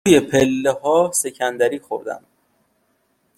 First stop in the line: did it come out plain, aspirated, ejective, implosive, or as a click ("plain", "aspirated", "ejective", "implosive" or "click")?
aspirated